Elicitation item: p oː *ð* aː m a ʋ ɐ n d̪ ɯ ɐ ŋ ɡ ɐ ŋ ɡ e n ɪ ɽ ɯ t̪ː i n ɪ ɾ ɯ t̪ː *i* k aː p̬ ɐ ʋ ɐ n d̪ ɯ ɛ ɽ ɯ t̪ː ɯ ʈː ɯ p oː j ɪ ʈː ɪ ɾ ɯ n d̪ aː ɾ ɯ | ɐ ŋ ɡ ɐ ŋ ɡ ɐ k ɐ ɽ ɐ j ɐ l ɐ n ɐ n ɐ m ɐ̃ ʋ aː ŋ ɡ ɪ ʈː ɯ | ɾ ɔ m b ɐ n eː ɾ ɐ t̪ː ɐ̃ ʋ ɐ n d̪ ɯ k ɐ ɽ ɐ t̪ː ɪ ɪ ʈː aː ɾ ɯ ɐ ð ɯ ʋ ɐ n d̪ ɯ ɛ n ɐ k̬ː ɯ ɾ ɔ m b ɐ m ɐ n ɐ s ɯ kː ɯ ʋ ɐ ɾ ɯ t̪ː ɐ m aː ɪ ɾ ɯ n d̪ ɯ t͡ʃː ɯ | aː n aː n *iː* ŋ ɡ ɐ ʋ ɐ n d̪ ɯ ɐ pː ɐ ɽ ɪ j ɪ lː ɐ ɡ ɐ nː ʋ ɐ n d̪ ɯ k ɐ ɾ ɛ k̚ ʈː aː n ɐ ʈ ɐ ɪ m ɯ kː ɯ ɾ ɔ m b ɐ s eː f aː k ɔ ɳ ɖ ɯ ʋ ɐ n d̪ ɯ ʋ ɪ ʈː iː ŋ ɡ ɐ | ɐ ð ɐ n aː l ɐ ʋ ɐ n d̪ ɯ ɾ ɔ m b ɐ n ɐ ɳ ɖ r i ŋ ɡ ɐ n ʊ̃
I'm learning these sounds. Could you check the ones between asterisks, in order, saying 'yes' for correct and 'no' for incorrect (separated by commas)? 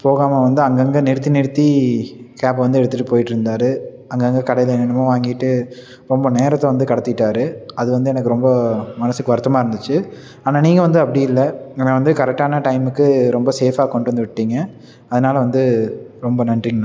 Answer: no, yes, yes